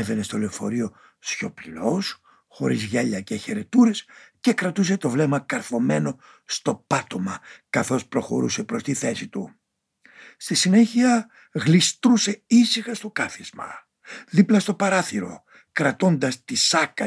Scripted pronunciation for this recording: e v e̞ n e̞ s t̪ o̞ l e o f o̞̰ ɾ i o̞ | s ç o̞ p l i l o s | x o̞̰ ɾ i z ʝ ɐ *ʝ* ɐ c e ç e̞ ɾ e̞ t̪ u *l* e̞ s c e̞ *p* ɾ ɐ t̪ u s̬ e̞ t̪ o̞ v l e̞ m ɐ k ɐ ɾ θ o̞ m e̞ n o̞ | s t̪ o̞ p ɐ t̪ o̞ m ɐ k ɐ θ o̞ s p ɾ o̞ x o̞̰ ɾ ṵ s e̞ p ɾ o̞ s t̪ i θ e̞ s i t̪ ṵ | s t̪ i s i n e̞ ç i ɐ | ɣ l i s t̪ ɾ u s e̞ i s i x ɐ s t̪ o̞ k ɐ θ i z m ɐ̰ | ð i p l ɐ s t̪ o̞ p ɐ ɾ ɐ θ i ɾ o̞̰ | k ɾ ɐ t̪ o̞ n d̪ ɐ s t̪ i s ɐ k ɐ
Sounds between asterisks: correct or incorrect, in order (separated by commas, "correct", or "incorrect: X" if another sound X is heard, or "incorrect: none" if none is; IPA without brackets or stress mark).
incorrect: ʎ, incorrect: ɾ, incorrect: k